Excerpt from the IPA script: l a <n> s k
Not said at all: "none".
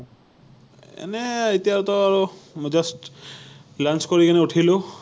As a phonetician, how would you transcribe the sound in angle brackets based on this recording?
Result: n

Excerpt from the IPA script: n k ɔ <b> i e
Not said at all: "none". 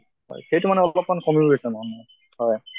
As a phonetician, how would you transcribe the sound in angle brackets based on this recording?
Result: m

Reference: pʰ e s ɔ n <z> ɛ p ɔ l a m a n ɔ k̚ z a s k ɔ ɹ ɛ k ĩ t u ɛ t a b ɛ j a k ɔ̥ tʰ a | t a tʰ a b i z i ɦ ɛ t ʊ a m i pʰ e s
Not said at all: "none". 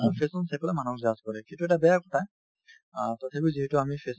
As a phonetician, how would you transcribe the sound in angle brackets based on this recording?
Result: s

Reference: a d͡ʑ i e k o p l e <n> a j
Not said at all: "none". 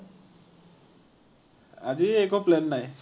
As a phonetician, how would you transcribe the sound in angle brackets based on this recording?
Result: nː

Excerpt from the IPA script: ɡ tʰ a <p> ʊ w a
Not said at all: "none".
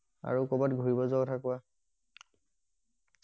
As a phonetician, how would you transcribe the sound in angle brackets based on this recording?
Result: k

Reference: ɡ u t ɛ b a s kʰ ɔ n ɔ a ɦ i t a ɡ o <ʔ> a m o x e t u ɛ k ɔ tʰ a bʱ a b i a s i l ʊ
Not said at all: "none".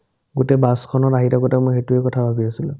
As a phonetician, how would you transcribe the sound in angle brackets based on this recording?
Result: t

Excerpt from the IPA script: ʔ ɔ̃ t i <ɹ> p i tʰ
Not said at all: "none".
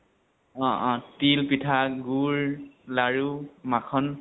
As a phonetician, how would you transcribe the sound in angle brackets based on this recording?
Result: l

